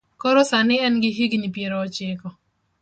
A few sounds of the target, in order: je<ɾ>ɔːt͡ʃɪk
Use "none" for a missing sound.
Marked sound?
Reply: ɾ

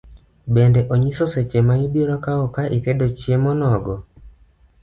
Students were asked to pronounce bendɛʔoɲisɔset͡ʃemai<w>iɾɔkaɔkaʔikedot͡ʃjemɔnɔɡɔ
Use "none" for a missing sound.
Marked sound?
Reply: b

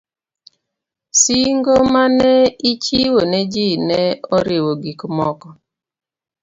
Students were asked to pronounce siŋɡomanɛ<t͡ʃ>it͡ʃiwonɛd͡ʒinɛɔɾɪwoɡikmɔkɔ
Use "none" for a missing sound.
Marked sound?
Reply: none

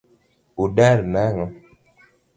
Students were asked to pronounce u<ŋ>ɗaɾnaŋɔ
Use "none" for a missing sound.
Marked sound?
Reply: none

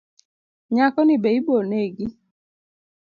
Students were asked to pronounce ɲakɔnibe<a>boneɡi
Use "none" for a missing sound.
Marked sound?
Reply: i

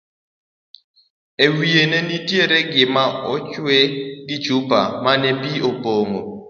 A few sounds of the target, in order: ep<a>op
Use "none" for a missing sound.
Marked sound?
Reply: i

